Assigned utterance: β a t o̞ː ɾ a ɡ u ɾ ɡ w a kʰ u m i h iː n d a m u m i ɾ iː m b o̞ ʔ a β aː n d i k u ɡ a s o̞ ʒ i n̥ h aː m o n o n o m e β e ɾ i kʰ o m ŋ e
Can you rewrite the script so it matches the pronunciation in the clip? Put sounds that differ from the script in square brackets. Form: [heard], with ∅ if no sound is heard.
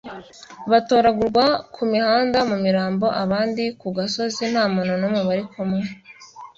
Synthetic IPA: β a t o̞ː ɾ a ɡ u ɾ ɡ w a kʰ u m i h [aː] n d a m u m i ɾ [aː] m b o̞ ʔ a β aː n d i k u ɡ a s o̞ [z] i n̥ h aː m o n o n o m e β [a] ɾ i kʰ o m ŋ e